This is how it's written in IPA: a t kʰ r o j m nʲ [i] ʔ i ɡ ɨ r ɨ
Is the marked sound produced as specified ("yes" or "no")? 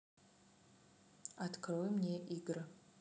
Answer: no